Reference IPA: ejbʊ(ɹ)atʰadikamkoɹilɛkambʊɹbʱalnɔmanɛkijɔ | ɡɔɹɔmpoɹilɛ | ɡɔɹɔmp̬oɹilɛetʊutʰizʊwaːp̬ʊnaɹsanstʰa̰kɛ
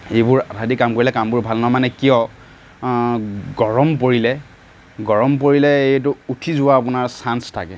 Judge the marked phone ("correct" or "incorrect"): correct